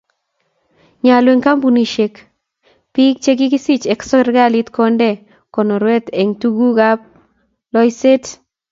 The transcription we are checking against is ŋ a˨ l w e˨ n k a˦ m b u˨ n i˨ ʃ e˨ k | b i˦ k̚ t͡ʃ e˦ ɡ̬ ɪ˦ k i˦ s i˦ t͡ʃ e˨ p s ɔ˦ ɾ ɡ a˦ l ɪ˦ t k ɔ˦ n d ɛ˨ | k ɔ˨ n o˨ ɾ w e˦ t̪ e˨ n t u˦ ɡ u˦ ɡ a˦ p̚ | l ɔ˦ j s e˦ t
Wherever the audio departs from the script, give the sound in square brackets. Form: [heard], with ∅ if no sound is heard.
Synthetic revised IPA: [ɲ] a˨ l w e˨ [ŋ] k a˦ m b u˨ n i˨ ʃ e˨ k | [p] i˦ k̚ t͡ʃ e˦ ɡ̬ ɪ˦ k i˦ s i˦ t͡ʃ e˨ [k] s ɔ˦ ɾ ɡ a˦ l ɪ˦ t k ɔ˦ n d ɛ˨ | k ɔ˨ n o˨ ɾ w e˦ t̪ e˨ [ŋ] t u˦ ɡ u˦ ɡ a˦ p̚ | l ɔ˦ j s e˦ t